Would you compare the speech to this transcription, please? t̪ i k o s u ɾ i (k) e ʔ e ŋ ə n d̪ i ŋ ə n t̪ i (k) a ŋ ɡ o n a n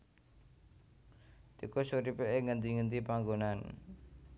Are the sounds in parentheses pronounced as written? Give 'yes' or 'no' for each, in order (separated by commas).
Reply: no, no